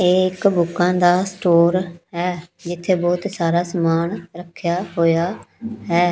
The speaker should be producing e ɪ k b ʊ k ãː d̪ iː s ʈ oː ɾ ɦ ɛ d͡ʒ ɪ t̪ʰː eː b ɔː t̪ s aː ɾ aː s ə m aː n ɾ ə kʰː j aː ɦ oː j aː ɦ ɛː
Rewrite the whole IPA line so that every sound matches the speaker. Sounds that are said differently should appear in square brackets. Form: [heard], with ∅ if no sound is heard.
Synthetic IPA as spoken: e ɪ k b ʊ k ãː d̪ [aː] s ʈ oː ɾ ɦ [ɛː] d͡ʒ ɪ t̪ʰː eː b ɔː t̪ s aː ɾ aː s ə m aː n ɾ ə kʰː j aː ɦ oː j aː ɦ ɛː